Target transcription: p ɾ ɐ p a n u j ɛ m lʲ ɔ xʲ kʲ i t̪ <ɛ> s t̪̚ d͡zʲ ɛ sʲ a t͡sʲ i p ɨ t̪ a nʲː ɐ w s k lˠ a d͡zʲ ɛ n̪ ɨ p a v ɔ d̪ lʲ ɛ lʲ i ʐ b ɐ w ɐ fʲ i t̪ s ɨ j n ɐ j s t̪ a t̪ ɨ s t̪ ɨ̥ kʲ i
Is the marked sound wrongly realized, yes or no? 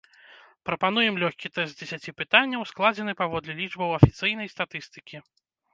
no